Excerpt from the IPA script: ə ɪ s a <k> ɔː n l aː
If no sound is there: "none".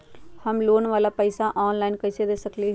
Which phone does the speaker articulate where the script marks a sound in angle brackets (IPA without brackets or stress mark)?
ʔ